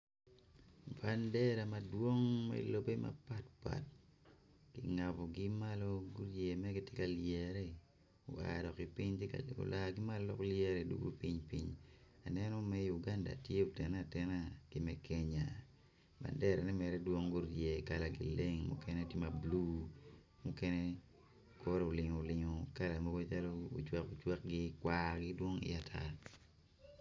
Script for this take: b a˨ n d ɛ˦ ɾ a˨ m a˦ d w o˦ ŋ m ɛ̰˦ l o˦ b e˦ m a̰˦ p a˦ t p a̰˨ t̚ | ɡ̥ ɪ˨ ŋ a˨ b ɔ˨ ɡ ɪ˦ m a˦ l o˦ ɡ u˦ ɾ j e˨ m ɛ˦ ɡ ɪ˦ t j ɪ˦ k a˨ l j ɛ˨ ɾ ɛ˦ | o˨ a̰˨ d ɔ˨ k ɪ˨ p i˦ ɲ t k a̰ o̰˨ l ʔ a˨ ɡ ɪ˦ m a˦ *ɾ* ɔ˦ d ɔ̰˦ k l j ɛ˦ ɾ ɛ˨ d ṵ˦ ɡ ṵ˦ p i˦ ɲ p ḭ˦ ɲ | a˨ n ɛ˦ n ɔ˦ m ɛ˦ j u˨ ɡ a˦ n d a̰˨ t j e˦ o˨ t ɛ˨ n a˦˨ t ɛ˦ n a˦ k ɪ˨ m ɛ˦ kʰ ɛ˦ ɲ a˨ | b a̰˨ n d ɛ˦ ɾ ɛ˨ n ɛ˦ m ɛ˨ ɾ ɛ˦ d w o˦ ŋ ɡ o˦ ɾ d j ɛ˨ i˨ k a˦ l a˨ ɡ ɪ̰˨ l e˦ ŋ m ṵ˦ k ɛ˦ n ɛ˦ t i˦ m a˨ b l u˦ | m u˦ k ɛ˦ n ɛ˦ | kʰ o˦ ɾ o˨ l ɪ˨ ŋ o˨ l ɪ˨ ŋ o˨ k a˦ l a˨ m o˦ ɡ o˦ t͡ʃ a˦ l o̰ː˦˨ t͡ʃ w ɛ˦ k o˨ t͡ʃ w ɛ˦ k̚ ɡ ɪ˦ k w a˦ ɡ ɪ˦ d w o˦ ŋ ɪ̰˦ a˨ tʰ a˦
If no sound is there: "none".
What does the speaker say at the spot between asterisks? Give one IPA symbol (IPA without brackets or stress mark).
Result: l